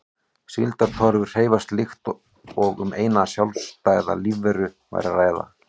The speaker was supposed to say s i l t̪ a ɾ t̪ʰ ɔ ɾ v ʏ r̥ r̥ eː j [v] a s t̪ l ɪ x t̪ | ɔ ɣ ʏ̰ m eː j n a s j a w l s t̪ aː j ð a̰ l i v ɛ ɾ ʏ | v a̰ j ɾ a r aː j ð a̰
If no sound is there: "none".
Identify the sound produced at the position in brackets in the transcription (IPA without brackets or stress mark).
v